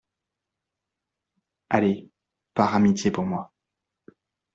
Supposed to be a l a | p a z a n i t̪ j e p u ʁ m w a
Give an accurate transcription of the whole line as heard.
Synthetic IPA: a l e | p a ʁ a m i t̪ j e p u ʁ m w a

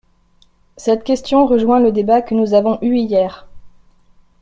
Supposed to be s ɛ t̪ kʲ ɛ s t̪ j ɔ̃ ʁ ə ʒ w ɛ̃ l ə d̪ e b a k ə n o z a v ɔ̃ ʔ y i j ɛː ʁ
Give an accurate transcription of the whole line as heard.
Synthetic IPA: s ɛ t̪ kʲ ɛ s t̪ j ɔ̃ ʁ ə ʒ w ɛ̃ l ə d̪ e b a k ə n u z a v ɔ̃ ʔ y i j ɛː ʁ

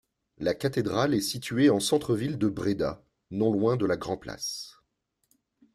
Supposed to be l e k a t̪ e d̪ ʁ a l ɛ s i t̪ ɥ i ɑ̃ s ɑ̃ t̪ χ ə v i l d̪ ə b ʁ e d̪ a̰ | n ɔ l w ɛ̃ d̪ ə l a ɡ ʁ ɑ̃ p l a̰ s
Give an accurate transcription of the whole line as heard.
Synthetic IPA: l a k a t̪ e d̪ ʁ a l ɛ s i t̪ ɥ e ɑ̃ s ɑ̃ t̪ χ ə v i l d̪ ə b ʁ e d̪ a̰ | n ɔ̃ l w ɛ̃ d̪ ə l a ɡ ʁ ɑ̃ p l a̰ s

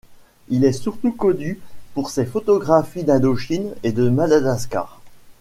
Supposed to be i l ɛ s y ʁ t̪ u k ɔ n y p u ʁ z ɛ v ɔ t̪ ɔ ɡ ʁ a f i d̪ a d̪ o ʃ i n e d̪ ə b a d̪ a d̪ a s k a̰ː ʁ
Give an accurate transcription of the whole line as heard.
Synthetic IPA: i l ɛ s y ʁ t̪ u k ɔ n y p u ʁ s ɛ f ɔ t̪ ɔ ɡ ʁ a f i d̪ a d̪ o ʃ i n e d̪ ə m a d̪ a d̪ a s k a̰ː ʁ

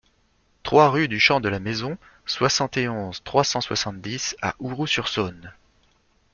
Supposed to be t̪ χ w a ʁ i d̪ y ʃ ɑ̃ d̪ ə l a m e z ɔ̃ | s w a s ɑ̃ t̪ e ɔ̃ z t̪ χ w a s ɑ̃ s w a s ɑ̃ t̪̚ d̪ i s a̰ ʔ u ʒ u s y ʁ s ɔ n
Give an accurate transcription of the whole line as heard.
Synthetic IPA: t̪ χ w a ʁ y d̪ y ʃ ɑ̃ d̪ ə l a m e z ɔ̃ | s w a s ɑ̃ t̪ e ɔ̃ z t̪ χ w a s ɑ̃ s w a s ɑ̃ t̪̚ d̪ i s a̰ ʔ u ʁ u s y ʁ s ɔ n

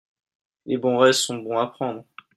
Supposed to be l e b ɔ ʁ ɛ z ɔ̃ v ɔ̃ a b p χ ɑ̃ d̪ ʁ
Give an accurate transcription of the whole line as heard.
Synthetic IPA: l e b ɔ̃ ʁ ɛ s ɔ̃ b ɔ̃ a p χ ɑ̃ d̪ ʁ

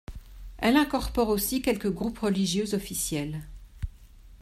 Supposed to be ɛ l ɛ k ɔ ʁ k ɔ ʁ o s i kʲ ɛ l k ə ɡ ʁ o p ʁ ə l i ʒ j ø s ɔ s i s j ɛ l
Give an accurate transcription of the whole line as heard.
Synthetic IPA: ɛ l ɛ̃ k ɔ ʁ p ɔ ʁ o s i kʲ ɛ l k ə ɡ ʁ u p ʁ ə l i ʒ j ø z ɔ f i s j ɛ l

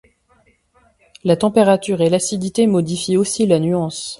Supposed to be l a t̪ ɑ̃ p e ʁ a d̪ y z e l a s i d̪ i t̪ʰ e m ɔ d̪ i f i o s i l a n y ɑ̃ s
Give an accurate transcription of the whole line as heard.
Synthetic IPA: l a t̪ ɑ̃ p e ʁ a t̪ y ʁ e l a s i d̪ i t̪ e m ɔ d̪ i f i o s i l a n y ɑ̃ s

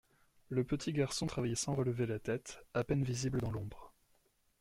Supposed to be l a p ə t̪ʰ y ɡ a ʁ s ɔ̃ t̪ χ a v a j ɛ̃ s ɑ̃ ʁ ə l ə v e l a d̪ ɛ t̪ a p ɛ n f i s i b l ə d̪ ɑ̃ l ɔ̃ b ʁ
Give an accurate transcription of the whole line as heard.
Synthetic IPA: l ə p ə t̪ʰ i ɡ a ʁ s ɔ̃ t̪ χ a v a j ɛ s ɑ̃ ʁ ə l ə v e l a t̪ ɛ t̪ a p ɛ n v i z i b l ə d̪ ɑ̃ l ɔ̃ b ʁ

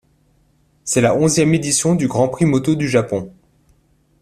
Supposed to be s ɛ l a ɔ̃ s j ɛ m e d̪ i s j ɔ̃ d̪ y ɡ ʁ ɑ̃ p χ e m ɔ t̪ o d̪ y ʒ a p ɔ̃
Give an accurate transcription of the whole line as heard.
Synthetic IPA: s ɛ l a ɔ̃ z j ɛ m e d̪ i s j ɔ̃ d̪ y ɡ ʁ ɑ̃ p χ i m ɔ t̪ o d̪ y ʒ a p ɔ̃

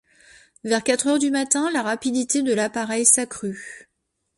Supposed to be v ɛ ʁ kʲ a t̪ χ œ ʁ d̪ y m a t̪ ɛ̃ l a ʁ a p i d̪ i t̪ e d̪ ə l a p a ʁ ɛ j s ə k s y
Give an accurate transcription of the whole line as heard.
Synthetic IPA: v ɛ ʁ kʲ a t̪ χ œ ʁ d̪ y m a t̪ ɛ̃ l a ʁ a p i d̪ i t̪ e d̪ ə l a p a ʁ ɛ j s a k χ y

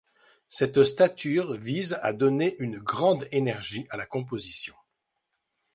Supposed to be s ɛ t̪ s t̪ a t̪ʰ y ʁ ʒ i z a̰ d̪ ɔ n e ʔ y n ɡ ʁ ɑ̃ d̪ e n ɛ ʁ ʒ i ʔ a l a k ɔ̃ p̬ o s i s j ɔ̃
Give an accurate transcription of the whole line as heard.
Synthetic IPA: s ɛ t̪ s t̪ a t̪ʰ y ʁ v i z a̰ d̪ ɔ n e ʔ y n ɡ ʁ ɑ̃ d̪ e n ɛ ʁ ʒ i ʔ a l a k ɔ̃ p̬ o z i s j ɔ̃

